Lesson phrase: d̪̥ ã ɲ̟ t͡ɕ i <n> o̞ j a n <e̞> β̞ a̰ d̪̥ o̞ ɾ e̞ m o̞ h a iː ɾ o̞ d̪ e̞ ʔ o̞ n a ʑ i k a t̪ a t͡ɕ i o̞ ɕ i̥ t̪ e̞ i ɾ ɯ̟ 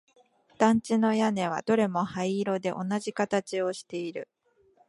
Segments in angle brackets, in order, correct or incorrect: correct, correct

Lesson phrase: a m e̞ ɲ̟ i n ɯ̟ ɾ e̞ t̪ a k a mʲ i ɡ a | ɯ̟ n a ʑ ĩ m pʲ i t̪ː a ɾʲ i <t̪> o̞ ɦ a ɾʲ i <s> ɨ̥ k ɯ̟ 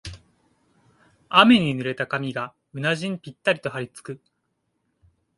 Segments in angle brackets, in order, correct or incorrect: correct, incorrect: t͡s

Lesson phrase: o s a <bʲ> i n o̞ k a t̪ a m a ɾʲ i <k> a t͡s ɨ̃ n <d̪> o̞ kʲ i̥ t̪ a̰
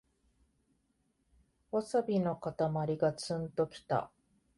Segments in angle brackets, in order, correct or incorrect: correct, incorrect: ɡ, incorrect: t̪

